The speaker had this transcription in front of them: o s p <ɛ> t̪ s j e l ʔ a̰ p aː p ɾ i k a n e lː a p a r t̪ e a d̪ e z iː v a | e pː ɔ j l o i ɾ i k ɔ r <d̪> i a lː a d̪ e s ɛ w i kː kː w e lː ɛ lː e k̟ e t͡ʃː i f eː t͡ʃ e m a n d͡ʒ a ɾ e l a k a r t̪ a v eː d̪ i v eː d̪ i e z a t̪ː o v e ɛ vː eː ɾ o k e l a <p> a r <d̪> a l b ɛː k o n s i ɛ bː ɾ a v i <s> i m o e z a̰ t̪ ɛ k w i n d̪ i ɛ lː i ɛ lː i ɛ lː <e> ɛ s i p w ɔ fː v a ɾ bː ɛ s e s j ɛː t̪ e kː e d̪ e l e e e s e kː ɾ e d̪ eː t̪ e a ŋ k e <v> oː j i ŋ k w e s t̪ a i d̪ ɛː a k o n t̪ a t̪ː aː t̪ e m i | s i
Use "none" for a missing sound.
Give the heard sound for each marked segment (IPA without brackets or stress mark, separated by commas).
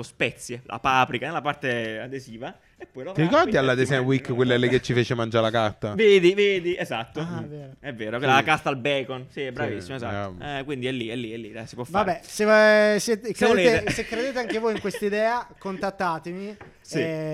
ɛ, d̪, k, t̪, sː, i, v